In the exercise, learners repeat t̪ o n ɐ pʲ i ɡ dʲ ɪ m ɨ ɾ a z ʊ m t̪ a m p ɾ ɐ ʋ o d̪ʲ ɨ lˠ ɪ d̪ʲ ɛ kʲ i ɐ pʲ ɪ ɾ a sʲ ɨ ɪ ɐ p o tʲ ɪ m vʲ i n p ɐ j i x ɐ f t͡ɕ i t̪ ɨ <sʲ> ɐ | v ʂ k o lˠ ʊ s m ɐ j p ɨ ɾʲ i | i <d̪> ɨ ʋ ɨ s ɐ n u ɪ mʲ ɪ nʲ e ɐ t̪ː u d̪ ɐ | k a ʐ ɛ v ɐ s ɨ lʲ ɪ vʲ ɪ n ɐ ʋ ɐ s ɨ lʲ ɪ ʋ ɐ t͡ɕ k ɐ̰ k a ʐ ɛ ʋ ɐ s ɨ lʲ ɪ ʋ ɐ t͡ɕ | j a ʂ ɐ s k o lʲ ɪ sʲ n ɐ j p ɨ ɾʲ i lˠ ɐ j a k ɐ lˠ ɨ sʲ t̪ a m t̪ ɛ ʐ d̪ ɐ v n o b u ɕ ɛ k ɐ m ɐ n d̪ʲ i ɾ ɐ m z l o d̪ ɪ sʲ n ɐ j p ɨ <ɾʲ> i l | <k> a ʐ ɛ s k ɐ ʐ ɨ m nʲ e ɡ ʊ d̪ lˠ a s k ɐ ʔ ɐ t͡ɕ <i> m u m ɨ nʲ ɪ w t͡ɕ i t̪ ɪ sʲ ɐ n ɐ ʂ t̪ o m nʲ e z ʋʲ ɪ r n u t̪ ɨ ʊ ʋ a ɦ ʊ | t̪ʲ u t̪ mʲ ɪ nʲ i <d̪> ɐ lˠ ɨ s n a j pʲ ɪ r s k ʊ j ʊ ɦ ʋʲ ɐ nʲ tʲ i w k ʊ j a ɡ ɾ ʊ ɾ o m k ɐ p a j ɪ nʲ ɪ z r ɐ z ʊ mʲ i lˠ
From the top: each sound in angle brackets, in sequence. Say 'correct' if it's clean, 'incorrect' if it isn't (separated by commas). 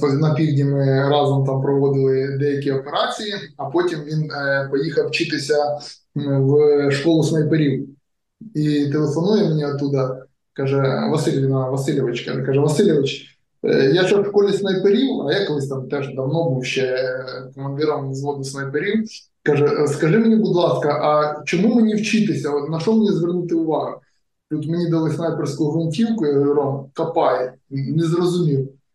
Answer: correct, incorrect, correct, correct, incorrect, correct